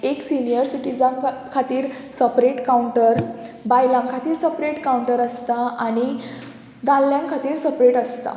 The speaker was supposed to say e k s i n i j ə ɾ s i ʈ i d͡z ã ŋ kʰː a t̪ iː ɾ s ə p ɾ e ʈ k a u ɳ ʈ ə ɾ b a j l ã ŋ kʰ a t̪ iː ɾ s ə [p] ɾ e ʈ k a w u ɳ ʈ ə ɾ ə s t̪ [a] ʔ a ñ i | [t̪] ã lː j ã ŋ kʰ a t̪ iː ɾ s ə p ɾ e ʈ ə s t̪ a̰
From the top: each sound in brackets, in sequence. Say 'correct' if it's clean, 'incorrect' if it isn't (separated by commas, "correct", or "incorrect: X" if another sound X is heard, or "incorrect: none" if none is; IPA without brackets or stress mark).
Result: correct, correct, incorrect: d̪